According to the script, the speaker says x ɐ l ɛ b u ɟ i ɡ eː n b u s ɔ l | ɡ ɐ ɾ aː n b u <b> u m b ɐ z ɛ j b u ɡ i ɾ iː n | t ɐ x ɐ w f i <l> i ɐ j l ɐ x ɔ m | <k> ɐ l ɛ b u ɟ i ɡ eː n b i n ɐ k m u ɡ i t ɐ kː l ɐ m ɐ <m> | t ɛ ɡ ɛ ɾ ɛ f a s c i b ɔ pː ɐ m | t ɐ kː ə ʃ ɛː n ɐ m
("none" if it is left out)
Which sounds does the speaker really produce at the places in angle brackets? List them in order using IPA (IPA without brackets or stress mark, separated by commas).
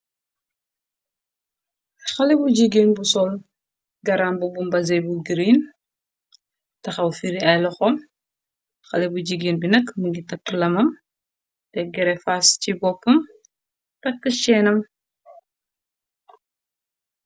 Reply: b, ɾ, x, m